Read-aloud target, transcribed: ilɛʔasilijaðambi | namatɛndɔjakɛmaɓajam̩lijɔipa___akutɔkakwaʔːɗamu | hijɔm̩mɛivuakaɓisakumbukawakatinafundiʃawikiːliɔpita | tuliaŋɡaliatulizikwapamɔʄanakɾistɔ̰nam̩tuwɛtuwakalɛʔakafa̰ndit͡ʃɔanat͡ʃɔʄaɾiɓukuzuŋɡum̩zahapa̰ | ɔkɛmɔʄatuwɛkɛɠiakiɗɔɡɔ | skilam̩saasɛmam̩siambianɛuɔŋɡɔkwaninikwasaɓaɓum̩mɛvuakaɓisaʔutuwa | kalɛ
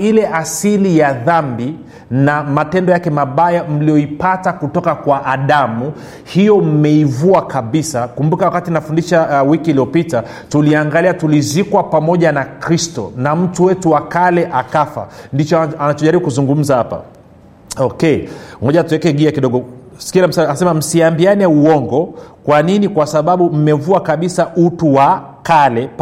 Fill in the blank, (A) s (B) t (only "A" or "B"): B